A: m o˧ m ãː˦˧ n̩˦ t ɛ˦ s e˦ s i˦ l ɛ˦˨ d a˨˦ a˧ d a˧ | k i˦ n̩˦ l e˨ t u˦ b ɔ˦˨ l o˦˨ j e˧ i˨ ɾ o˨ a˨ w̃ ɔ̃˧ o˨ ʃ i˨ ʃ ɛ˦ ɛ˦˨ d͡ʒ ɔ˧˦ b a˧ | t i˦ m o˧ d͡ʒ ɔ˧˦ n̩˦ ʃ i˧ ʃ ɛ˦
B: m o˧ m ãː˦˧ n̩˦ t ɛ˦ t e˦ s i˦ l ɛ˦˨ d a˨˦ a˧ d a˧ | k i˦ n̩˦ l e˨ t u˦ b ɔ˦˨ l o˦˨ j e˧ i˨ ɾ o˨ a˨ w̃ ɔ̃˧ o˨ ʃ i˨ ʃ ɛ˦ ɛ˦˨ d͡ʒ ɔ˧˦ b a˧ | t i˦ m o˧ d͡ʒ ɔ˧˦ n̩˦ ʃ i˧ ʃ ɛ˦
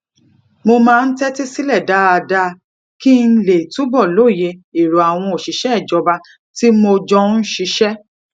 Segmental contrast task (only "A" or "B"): B